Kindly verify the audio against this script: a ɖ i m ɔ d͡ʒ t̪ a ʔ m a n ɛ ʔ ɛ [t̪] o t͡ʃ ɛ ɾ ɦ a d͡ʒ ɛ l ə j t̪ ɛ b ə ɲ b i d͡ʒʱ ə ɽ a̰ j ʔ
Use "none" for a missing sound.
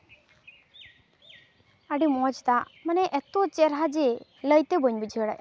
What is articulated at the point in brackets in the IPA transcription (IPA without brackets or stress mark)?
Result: t̪